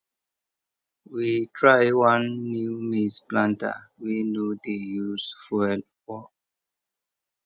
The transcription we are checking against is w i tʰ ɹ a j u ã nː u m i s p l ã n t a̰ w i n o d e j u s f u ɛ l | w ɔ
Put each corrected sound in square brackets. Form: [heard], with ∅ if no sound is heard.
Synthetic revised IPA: w i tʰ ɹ a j [w] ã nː u m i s p l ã n t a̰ w i n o d e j u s f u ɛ l | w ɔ